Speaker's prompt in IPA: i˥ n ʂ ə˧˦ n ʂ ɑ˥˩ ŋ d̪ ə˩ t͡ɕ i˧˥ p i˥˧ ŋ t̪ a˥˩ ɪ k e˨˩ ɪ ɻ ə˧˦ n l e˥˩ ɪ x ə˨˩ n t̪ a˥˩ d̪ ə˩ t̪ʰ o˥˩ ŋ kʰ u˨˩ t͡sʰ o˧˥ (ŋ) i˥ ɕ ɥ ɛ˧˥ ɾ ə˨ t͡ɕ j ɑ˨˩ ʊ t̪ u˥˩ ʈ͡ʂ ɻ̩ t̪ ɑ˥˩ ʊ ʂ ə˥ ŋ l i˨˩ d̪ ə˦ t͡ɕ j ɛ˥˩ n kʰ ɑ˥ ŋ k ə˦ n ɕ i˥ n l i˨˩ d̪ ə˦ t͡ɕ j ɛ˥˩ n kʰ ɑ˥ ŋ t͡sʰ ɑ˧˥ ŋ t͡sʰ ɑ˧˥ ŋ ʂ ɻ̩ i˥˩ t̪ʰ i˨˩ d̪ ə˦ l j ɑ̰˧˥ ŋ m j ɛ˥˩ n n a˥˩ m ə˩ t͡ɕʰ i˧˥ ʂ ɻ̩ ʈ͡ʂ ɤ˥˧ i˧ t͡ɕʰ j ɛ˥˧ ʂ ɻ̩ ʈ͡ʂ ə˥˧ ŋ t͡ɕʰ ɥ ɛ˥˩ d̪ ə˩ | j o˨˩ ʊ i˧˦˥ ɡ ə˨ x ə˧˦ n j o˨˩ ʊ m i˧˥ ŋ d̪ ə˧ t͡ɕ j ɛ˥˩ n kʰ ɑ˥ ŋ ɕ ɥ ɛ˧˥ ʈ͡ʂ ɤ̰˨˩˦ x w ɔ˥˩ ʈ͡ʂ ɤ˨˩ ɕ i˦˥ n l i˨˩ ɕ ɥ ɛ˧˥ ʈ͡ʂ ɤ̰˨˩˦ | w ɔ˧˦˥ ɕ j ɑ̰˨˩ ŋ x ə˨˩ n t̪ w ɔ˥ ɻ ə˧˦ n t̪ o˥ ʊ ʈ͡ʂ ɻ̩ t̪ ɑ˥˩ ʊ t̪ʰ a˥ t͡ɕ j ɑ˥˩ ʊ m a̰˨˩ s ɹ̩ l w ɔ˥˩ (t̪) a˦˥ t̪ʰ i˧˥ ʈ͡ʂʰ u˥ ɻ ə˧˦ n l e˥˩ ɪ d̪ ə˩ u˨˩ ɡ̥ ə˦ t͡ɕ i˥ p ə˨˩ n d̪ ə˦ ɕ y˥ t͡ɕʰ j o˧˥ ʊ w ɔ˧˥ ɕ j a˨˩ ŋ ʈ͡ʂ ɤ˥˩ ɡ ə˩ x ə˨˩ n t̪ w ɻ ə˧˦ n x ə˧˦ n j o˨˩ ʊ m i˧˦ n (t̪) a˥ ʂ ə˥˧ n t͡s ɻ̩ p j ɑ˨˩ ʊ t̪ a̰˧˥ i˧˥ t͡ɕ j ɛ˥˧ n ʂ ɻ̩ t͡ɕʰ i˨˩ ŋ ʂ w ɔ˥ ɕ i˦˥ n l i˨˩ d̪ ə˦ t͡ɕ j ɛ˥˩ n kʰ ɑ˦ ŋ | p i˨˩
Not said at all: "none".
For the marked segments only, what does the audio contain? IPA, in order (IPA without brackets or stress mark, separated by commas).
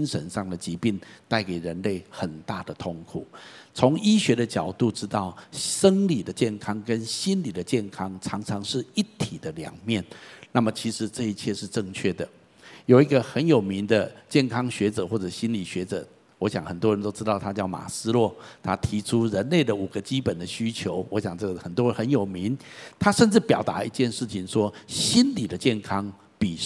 ŋ, t̪ʰ, t̪ʰ